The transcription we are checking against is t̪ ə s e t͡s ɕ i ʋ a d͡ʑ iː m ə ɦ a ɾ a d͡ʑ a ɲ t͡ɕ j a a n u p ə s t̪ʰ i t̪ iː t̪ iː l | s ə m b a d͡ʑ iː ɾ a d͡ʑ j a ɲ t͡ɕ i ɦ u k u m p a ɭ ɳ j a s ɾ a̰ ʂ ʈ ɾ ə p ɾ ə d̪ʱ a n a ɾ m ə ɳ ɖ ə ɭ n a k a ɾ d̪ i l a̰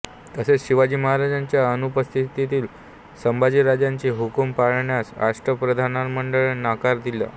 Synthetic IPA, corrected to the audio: t̪ ə s e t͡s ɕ i ʋ a d͡ʑ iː m ə ɦ a ɾ a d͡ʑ a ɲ t͡ɕ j a ə n u p ə s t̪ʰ i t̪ i t̪ iː l | s ə m b a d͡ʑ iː ɾ a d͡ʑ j a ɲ t͡ɕ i ɦ u k u m p a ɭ ɳ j a s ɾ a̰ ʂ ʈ ɾ ə p ɾ ə d̪ʱ a n a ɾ m ə ɳ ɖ ə ɭ n a k a ɾ d̪ i l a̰